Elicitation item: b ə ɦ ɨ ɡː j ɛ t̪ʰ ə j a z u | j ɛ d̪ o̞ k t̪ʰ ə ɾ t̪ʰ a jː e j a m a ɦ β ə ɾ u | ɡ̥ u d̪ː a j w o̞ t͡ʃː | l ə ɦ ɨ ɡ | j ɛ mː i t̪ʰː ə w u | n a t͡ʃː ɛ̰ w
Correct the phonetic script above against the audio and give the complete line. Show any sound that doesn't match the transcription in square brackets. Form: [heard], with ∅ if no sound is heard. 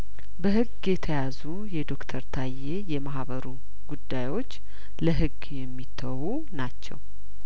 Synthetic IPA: b ə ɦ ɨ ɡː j ɛ t̪ʰ ə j a z u | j ɛ d̪ o̞ k t̪ʰ ə ɾ t̪ʰ a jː e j [ɛ] m a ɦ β ə ɾ u | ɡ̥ u d̪ː a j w o̞ t͡ʃː | l ə ɦ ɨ ɡ | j ɛ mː i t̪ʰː ə w u | n a t͡ʃː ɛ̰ w